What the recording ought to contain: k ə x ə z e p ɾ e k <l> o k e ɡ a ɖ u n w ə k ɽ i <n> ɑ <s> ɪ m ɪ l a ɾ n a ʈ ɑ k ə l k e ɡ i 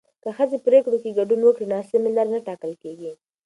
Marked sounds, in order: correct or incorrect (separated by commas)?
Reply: incorrect, correct, correct